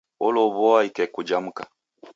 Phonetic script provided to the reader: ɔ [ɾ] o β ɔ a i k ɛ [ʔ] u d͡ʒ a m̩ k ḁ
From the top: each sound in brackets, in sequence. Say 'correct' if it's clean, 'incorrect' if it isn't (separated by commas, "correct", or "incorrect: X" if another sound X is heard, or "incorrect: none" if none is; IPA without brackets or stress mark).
incorrect: l, incorrect: k